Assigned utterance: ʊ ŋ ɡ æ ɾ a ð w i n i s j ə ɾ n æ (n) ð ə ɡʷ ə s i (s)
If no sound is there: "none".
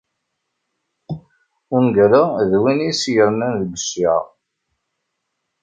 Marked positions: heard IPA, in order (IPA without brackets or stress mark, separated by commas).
n, none